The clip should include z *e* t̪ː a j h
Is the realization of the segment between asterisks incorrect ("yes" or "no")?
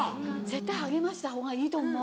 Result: no